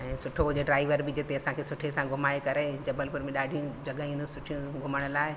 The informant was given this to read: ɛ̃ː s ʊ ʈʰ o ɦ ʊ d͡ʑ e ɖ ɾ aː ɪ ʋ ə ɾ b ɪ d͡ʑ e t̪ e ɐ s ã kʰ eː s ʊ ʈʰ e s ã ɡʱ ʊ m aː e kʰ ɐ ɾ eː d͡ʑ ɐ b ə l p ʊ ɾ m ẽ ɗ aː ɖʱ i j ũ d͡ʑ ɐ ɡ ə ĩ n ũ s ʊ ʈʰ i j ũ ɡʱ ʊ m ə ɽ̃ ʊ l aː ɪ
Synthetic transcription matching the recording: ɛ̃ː s ʊ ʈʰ o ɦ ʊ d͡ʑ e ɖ ɾ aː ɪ ʋ ə ɾ b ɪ d͡ʑ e t̪ e ɐ s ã kʰ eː s ʊ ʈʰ e s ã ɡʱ ʊ m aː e k ɐ ɾ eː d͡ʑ ɐ b ə l p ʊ ɾ m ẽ ɗ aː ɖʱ i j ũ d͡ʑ ɐ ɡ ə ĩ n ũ s ʊ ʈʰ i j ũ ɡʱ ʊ m ə ɽ̃ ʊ l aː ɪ